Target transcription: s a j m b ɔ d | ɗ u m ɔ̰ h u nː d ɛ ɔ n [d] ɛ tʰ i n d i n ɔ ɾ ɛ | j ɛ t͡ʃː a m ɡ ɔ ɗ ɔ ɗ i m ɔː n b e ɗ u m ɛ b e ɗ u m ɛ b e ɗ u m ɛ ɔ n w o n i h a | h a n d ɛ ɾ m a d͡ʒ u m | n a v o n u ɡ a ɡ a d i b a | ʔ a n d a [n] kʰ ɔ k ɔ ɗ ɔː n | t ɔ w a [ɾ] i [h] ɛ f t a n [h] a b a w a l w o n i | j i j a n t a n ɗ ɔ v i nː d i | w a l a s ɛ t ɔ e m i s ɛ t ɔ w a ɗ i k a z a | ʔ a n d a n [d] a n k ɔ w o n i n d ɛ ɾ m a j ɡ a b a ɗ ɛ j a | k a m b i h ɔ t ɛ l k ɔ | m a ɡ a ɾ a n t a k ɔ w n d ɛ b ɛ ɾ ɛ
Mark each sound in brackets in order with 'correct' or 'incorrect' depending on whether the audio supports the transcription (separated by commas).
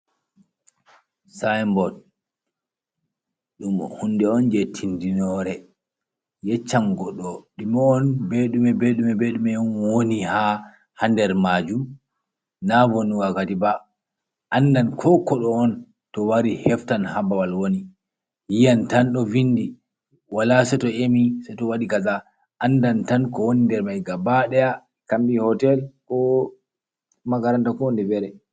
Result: incorrect, correct, correct, correct, correct, incorrect